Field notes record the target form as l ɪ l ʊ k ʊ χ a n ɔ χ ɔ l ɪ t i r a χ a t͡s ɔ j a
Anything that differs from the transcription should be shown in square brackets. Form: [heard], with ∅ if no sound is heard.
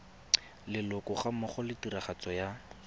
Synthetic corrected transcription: l ɪ l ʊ k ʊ χ a [m] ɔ χ ɔ l ɪ t i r a χ a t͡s ɔ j a